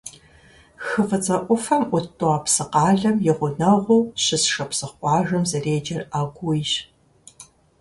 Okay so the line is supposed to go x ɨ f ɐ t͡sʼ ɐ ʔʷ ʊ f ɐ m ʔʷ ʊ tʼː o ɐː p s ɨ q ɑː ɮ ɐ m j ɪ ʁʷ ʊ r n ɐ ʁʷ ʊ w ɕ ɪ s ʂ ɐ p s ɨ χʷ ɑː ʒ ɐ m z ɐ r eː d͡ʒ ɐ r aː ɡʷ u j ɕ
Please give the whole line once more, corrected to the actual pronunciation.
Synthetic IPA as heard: x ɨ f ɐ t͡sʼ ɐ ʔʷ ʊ f ɐ m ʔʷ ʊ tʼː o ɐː p s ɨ q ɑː ɮ ɐ m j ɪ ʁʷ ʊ n ɐ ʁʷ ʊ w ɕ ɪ s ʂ ɐ p s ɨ χʷ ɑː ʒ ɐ m z ɐ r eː d͡ʒ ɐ r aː ɡʷ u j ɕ